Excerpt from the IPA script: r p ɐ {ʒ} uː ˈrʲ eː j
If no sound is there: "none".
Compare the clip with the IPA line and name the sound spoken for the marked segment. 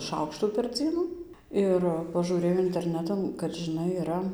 ʒ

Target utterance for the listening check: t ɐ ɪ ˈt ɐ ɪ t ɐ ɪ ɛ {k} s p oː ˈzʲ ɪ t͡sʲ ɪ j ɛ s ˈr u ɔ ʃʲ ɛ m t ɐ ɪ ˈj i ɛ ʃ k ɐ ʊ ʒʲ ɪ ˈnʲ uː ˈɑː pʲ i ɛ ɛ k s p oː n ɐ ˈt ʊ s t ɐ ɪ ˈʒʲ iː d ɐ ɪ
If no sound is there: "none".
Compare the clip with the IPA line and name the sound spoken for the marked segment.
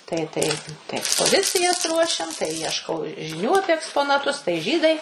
k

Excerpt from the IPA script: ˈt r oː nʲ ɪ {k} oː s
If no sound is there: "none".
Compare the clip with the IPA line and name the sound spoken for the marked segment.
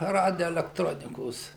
k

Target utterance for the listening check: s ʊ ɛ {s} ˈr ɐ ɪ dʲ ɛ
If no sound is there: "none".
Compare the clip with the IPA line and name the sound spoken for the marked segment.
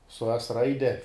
s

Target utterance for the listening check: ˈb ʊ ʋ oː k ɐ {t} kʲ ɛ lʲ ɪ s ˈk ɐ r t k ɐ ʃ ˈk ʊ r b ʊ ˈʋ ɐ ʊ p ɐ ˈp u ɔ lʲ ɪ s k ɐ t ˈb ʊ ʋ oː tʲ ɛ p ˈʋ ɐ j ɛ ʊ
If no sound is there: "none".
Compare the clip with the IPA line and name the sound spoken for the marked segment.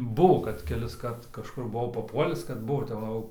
t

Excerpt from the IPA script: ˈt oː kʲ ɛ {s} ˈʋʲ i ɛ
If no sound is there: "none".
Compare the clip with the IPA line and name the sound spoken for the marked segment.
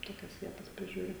s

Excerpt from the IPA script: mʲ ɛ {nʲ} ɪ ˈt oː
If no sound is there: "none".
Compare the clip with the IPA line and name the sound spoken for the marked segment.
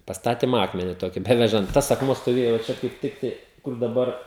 nʲ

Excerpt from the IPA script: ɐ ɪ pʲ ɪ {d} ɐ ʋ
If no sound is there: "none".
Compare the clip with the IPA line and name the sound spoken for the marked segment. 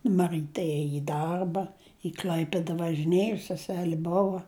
d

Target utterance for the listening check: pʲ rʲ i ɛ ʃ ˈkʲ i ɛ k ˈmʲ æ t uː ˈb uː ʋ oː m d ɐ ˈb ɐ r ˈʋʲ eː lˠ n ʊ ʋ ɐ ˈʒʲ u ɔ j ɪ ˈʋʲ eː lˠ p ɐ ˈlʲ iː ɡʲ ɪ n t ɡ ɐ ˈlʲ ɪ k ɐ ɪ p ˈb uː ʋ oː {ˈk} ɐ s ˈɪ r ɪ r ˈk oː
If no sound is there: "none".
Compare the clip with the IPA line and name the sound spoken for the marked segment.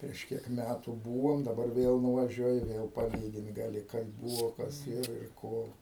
k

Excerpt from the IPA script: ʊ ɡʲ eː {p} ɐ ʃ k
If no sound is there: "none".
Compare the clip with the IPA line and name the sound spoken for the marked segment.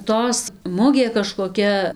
k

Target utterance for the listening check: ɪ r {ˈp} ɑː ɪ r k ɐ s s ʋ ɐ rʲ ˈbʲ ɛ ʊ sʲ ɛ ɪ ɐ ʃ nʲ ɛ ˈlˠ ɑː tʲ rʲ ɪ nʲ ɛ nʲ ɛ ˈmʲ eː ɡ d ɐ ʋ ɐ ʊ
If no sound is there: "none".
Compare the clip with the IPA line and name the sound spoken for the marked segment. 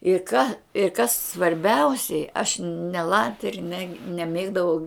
k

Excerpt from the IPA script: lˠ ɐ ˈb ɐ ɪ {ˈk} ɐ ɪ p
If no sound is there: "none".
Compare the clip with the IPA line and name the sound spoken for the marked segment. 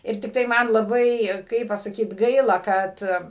k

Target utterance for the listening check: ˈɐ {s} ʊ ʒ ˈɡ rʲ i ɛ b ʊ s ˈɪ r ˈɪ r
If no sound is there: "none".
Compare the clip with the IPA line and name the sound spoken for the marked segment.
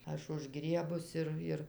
ʃ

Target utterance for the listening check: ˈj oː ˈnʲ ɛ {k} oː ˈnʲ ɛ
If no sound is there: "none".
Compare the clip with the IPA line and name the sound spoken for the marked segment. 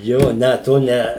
t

